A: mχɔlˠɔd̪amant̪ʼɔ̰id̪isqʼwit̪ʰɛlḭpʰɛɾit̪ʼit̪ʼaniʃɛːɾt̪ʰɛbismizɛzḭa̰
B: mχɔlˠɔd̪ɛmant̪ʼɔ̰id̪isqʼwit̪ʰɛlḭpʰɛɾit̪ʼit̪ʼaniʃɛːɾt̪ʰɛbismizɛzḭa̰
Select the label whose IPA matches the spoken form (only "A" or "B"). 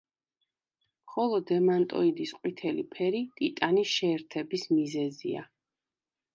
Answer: B